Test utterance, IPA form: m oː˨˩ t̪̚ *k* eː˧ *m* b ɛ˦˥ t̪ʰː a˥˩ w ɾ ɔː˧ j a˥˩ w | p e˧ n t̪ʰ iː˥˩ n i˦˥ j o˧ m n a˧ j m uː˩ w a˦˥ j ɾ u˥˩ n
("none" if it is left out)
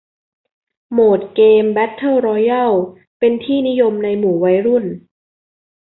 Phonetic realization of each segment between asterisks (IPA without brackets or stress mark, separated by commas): k, m